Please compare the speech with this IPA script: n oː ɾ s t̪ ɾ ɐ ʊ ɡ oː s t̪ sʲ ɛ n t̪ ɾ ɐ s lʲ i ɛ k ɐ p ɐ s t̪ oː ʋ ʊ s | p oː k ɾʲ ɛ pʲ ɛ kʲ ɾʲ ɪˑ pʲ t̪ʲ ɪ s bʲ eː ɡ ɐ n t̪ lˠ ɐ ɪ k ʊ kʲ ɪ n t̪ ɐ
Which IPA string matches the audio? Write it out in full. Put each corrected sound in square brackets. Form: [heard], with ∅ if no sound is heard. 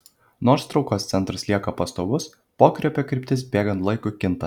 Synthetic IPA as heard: n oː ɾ s t̪ ɾ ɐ ʊ [k] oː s t̪ sʲ ɛ n t̪ ɾ ɐ s lʲ i ɛ k ɐ p ɐ s t̪ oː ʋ ʊ s | p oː k ɾʲ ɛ pʲ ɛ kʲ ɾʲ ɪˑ pʲ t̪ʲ ɪ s bʲ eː ɡ ɐ n t̪ lˠ ɐ ɪ k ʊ kʲ ɪ n t̪ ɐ